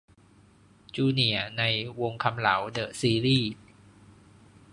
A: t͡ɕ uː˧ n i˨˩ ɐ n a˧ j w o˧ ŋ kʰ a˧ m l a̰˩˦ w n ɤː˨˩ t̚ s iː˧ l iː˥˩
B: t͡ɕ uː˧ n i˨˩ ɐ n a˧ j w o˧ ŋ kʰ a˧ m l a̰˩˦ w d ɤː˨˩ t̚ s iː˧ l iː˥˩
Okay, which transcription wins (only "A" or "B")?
B